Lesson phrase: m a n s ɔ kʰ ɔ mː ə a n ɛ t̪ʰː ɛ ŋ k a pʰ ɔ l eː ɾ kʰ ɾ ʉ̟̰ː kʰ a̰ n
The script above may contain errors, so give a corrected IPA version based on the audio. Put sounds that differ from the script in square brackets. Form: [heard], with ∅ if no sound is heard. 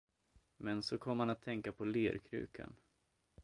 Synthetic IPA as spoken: m [ɛ] n s ɔ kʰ ɔ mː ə a n [a] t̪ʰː ɛ ŋ k a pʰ ɔ l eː ɾ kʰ ɾ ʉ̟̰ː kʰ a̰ n